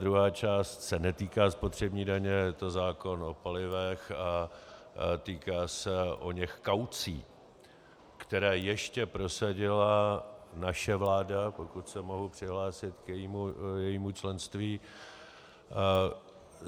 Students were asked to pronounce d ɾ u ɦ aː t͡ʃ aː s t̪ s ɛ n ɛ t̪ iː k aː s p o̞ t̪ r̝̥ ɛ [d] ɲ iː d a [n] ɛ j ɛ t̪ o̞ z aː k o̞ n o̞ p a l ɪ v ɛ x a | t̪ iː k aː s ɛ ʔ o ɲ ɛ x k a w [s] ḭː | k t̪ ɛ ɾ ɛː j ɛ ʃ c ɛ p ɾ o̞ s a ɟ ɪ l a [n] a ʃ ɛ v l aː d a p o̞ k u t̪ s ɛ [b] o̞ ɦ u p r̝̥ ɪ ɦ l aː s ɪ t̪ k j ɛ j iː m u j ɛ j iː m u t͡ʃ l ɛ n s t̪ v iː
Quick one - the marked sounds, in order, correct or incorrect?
incorrect, incorrect, incorrect, correct, incorrect

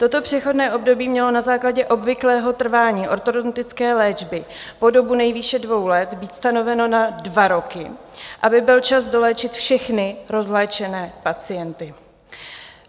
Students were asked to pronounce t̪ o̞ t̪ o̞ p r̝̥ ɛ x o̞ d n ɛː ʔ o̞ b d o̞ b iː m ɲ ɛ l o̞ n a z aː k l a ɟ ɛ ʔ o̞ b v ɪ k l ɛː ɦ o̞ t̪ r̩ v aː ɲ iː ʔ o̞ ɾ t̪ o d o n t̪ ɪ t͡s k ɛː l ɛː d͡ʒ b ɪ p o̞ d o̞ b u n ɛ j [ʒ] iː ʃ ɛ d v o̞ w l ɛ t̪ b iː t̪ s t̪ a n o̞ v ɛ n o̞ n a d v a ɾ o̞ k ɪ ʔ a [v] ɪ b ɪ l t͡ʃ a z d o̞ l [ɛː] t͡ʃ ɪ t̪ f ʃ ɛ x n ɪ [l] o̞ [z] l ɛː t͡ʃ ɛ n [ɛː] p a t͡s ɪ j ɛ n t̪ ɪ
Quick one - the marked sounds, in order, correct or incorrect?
incorrect, incorrect, correct, incorrect, correct, correct

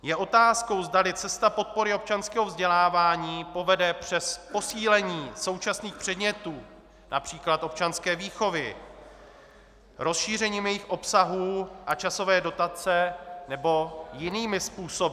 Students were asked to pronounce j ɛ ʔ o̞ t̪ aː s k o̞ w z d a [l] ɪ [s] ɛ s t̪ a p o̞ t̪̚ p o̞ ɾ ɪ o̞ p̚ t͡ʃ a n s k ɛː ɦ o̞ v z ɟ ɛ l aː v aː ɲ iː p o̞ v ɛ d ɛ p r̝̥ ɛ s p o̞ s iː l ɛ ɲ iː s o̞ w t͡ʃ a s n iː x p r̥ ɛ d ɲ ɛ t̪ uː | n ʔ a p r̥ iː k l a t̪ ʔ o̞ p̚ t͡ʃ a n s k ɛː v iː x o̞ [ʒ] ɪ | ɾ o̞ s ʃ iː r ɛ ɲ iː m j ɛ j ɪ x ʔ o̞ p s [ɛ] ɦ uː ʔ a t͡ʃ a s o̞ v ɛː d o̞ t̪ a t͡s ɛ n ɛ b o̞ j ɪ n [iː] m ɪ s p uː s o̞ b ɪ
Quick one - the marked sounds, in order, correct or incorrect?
correct, incorrect, incorrect, incorrect, correct

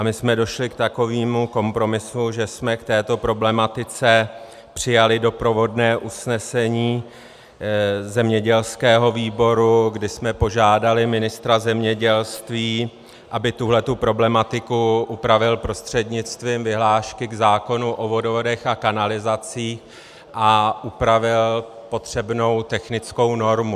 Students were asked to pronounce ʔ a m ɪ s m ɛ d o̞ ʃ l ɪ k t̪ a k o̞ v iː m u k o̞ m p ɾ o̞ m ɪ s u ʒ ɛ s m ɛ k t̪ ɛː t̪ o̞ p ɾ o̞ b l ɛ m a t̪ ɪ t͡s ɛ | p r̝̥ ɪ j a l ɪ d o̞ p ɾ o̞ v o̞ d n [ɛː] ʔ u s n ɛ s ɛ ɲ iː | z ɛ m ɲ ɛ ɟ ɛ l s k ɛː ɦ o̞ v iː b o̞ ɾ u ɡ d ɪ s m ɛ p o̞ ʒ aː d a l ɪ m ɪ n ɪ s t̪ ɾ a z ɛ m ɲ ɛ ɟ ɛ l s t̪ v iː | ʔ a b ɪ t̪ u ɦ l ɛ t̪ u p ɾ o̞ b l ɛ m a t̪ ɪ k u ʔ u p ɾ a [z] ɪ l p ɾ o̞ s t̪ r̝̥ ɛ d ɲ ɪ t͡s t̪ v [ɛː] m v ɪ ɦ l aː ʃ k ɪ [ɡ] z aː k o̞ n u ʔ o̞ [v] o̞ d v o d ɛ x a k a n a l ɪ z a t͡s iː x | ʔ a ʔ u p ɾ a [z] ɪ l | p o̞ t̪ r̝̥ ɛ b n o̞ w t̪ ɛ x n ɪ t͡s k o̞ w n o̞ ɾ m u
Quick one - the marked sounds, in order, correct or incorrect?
correct, incorrect, incorrect, correct, correct, incorrect

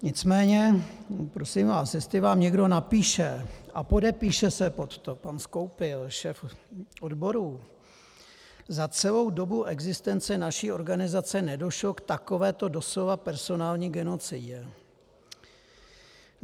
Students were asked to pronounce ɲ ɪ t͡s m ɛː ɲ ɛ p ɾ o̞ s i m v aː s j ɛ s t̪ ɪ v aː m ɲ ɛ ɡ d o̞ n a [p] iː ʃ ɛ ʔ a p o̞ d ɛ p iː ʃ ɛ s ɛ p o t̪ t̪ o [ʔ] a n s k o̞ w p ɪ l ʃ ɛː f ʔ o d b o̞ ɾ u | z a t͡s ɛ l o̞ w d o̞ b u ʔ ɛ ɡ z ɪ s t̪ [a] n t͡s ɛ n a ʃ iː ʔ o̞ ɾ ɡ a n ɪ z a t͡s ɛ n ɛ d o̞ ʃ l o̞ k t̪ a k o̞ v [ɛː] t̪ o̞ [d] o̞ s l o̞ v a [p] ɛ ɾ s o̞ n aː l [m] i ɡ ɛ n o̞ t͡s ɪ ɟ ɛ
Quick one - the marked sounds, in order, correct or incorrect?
correct, incorrect, incorrect, correct, correct, correct, incorrect

